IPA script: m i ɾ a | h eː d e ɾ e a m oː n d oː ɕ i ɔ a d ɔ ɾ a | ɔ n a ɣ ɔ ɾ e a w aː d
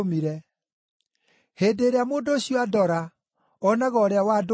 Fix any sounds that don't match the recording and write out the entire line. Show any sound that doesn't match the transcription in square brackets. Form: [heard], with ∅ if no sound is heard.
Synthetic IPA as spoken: m i ɾ [ɛ] | h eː d e ɾ e a m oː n d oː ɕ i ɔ a d ɔ ɾ a | ɔ n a ɣ ɔ ɾ e a w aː d